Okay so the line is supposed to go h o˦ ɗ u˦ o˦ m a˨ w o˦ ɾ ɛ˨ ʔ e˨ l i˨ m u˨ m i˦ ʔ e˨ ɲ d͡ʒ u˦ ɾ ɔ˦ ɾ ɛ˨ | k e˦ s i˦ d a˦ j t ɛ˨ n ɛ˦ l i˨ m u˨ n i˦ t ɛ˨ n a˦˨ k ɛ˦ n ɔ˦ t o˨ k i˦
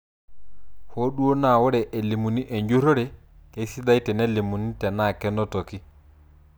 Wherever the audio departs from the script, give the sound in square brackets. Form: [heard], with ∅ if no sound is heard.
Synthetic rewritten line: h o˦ ɗ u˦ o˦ [n] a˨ w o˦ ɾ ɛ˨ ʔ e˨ l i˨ m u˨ [n] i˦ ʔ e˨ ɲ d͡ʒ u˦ ɾ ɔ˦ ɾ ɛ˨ | k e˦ s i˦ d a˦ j t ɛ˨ n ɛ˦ l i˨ m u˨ n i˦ t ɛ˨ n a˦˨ k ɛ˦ n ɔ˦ t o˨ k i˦